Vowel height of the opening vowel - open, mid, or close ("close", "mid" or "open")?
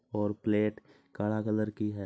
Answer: mid